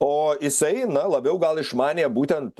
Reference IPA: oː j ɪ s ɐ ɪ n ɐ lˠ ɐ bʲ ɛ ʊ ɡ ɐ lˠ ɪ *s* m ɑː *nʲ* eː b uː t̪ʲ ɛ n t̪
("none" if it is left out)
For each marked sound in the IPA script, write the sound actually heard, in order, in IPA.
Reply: ʃ, nʲ

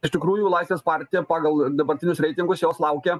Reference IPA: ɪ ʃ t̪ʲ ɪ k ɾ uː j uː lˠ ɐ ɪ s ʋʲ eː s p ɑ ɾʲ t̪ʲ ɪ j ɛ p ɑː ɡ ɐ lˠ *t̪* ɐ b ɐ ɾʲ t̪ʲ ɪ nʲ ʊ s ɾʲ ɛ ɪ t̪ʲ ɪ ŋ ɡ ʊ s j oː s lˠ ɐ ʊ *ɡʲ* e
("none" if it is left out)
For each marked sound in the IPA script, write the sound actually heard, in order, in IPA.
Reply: d̪, kʲ

